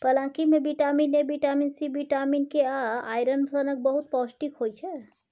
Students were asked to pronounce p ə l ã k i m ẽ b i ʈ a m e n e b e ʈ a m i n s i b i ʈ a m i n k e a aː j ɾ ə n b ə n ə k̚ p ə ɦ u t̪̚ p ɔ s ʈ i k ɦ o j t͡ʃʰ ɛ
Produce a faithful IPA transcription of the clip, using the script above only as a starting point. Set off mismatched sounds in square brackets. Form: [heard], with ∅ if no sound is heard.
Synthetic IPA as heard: p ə l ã k i m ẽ b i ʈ a m [i] n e b [i] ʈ a m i n s i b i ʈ a m i n k e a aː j ɾ ə n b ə n ə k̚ [b] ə ɦ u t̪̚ p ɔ s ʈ i k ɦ o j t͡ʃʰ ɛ